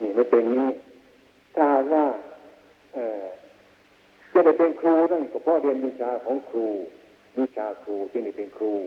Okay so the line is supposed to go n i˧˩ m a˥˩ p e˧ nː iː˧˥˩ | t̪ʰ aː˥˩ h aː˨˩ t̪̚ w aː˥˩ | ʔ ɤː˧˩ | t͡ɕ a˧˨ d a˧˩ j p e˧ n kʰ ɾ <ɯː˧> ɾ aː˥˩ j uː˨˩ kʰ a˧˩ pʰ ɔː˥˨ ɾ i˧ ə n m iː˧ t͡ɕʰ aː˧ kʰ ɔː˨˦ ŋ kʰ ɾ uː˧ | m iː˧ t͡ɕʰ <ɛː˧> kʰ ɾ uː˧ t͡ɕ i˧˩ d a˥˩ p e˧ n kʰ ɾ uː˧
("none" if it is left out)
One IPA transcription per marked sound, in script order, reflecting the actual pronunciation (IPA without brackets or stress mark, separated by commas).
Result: uː˧, aː˧